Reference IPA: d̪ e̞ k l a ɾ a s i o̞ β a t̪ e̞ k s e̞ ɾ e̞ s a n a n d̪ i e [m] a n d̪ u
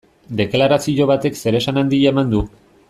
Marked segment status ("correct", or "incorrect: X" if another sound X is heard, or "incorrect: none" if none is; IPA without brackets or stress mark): correct